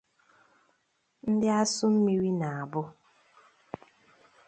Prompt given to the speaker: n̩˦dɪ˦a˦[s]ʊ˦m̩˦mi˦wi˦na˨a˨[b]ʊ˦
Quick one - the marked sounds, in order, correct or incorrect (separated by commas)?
correct, correct